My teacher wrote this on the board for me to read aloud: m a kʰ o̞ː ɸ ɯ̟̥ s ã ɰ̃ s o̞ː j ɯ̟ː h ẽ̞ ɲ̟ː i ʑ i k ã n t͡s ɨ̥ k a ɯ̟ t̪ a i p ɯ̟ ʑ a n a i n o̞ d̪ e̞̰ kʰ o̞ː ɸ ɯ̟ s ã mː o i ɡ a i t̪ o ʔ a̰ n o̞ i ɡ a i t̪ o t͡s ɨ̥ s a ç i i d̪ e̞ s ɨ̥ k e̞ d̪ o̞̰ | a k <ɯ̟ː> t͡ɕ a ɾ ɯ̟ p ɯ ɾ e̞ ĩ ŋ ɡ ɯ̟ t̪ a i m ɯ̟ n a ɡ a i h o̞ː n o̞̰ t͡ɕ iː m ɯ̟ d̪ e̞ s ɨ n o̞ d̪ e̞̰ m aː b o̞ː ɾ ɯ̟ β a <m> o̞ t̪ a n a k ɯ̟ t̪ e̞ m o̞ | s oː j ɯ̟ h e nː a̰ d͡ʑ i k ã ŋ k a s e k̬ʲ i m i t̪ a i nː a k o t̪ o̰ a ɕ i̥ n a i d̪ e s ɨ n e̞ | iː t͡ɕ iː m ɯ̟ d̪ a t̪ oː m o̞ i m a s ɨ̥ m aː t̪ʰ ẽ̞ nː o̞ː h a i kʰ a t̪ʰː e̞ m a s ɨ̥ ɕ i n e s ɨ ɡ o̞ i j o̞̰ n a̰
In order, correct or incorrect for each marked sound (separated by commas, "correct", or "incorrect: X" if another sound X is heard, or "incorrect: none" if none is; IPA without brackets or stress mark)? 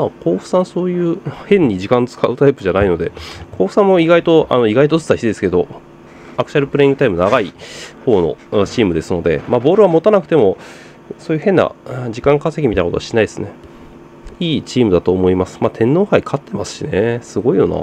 incorrect: ɯ̟, correct